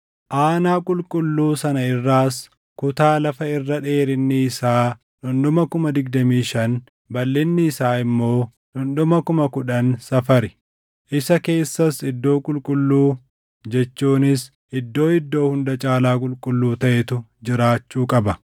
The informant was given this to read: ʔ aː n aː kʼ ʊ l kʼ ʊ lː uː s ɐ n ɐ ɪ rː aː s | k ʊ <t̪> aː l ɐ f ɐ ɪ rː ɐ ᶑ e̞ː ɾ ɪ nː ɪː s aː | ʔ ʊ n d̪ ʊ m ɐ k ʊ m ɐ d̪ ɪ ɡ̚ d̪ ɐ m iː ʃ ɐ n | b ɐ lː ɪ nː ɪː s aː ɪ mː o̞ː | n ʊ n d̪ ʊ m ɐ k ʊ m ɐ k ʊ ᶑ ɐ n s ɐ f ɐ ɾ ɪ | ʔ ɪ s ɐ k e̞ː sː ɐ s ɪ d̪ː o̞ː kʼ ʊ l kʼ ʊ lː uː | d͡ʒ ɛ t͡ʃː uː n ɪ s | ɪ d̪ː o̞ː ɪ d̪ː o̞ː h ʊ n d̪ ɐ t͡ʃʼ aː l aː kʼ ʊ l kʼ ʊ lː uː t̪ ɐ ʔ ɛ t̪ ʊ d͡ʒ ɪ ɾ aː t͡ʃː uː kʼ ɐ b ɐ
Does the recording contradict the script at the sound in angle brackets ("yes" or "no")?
no